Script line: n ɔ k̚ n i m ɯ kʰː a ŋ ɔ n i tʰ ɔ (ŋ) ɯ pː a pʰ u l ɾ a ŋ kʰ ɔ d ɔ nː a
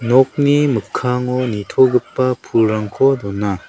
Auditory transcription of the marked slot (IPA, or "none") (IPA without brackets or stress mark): ɡ